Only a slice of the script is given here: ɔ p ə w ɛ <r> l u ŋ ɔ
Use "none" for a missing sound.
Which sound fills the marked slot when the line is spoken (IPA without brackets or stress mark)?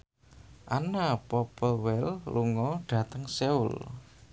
l